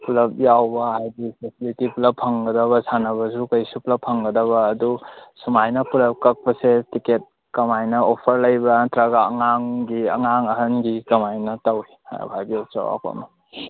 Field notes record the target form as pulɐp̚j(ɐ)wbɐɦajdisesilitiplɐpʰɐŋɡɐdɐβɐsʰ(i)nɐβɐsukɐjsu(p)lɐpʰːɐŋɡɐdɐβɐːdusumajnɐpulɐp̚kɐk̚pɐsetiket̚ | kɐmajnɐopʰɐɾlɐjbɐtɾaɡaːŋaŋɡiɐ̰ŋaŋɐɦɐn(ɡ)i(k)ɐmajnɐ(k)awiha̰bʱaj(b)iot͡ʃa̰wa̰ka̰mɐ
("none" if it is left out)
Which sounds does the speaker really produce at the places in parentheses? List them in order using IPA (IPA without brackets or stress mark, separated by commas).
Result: a, a, p, ɡ, k, t, b